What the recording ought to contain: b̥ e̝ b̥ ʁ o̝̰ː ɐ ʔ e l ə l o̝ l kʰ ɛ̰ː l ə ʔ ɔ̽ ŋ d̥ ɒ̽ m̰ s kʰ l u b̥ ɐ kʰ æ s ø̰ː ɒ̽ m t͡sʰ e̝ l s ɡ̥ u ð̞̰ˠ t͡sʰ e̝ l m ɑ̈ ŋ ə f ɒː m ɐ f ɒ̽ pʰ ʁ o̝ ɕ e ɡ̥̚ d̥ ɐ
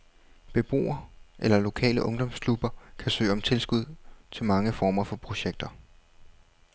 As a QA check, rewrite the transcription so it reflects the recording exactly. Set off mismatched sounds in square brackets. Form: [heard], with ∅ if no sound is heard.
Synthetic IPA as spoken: b̥ e̝ b̥ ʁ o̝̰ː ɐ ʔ e l [ɐ] l o̝ [∅] kʰ ɛ̰ː l ə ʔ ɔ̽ ŋ d̥ ɒ̽ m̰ s kʰ l u b̥ ɐ kʰ æ s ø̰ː ɒ̽ m t͡sʰ e̝ l s ɡ̥ u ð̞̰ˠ t͡sʰ e̝ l m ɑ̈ ŋ ə f ɒː m ɐ f ɒ̽ pʰ ʁ o̝ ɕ e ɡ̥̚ d̥ ɐ